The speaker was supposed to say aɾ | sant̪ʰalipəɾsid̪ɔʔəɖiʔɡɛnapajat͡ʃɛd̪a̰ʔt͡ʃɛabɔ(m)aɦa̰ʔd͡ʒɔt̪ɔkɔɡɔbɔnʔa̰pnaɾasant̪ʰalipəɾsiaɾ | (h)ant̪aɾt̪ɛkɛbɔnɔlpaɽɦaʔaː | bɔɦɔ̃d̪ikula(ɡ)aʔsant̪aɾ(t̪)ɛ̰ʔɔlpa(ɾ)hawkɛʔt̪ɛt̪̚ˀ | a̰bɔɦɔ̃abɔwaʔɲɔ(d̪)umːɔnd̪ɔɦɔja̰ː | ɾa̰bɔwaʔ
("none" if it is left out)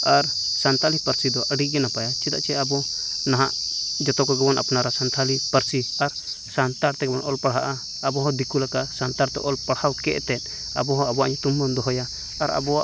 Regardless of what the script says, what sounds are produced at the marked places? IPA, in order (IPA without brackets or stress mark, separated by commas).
n, s, k, t̪, ɽ, t̪